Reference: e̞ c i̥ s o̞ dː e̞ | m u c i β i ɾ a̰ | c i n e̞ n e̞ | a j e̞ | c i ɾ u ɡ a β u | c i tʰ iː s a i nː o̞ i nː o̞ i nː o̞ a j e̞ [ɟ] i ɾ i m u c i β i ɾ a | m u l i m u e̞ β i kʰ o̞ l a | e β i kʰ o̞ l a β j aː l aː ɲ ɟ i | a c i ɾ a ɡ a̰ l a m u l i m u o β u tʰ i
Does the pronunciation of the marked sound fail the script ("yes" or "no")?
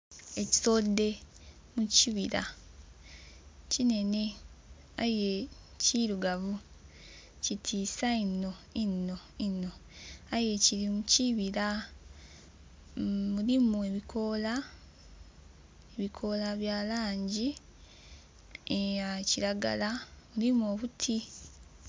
yes